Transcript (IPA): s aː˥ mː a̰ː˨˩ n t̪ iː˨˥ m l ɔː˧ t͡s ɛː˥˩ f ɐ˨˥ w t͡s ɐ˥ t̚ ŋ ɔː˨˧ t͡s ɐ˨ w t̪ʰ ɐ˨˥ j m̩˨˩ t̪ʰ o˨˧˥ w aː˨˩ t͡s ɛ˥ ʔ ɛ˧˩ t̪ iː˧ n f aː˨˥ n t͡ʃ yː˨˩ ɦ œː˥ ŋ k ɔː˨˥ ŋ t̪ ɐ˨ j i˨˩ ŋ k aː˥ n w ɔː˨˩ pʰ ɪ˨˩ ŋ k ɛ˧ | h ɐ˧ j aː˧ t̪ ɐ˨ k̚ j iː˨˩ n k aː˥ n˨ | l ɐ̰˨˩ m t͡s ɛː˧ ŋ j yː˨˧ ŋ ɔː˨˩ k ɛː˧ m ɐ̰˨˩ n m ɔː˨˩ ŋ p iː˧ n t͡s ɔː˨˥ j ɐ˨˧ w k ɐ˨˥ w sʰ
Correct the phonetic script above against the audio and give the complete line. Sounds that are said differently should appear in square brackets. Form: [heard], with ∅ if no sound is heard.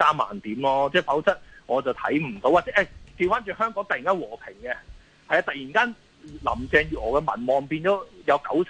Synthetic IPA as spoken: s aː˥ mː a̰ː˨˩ n t̪ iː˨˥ m l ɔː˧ t͡s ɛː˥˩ f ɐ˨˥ w t͡s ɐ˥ t̚ ŋ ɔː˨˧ t͡s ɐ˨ w t̪ʰ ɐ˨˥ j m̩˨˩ [t̪] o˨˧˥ w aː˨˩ t͡s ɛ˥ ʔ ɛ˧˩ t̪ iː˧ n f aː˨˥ n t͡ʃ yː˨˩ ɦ œː˥ ŋ k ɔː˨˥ ŋ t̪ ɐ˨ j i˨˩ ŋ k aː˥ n w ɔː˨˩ pʰ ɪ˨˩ ŋ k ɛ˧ | h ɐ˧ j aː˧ t̪ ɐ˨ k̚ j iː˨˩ n k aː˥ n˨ | l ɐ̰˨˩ m t͡s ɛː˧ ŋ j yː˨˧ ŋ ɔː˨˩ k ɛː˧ m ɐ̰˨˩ n m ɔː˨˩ ŋ p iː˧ n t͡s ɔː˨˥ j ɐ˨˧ w k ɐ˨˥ w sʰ